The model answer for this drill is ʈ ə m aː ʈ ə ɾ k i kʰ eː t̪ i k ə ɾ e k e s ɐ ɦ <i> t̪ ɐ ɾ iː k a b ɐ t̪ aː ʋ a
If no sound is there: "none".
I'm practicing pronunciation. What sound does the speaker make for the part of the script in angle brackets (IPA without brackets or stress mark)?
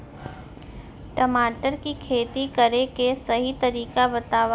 i